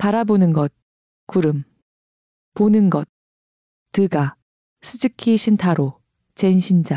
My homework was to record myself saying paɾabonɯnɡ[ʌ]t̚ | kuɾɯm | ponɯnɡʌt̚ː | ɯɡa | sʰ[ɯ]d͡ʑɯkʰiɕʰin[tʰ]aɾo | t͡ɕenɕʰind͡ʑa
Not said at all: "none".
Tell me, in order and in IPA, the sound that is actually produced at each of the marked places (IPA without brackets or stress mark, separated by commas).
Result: ʌ, ɯ, tʰ